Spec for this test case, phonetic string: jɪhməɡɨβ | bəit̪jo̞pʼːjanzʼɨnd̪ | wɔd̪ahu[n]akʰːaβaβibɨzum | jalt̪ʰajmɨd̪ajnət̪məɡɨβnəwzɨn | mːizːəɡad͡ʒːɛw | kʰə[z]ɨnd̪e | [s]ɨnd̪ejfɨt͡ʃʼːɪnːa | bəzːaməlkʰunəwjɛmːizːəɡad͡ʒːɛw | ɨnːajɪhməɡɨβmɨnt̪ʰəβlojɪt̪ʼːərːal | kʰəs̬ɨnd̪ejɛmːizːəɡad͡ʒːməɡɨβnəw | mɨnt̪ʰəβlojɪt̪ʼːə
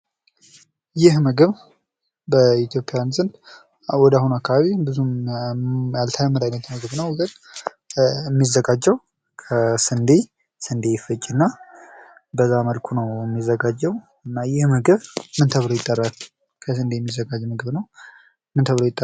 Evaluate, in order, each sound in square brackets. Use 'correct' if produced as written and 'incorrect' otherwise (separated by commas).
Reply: correct, incorrect, correct